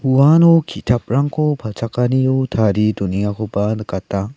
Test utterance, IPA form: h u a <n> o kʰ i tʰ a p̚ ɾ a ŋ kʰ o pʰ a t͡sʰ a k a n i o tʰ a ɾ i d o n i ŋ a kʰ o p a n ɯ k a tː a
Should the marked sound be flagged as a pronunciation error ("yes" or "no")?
no